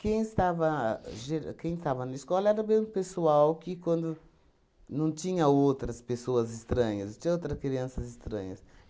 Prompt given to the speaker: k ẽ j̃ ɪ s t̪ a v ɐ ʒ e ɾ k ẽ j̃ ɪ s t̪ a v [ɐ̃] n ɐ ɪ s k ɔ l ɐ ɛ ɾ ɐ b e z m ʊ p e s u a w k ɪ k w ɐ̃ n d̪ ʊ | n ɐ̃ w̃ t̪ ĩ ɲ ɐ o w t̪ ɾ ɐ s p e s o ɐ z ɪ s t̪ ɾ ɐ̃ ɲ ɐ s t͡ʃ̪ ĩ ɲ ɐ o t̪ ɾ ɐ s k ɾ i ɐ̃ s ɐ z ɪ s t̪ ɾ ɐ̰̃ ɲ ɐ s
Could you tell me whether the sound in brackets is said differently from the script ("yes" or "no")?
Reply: yes